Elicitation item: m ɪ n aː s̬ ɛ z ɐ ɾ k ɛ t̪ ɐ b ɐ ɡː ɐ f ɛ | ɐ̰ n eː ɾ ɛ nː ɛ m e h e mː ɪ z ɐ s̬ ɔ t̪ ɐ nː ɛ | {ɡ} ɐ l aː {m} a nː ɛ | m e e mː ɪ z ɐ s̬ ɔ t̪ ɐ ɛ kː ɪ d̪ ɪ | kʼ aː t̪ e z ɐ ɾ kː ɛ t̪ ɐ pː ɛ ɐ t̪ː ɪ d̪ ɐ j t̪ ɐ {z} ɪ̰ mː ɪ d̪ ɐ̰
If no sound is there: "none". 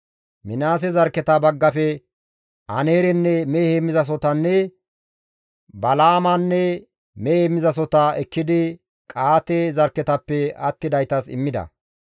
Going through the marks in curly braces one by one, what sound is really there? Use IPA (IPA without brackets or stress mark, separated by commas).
b, m, s